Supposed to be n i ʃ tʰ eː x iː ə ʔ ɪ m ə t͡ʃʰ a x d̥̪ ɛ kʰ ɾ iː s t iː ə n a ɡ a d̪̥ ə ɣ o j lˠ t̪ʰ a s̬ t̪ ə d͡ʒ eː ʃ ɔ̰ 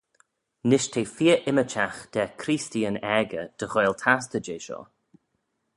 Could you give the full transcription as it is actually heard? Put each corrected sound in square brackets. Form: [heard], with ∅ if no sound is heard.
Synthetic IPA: n [ɪ] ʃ tʰ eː [f] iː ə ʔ ɪ m ə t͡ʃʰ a x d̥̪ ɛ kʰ ɾ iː s t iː ə n [ɛ] ɡ [ə] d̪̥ ə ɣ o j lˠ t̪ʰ a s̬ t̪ ə d͡ʒ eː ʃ ɔ̰